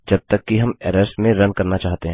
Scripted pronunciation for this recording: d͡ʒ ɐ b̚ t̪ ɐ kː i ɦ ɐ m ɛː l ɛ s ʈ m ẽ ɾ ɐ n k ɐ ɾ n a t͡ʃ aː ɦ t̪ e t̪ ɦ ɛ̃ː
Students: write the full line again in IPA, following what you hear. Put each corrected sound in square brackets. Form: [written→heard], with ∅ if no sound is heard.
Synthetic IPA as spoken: d͡ʒ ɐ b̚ t̪ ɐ kː i ɦ ɐ m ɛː [l→ɾ] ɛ s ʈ m ẽ ɾ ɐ n k ɐ ɾ n a t͡ʃ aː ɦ t̪ e [t̪→∅] ɦ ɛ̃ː